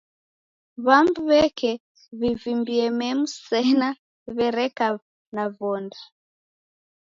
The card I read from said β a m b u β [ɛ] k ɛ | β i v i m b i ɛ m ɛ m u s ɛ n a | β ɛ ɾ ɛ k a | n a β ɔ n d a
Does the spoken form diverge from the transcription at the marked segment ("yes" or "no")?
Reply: no